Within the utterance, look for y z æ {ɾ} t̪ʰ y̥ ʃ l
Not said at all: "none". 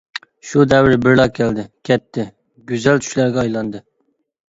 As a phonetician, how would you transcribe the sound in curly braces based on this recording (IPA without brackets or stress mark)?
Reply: l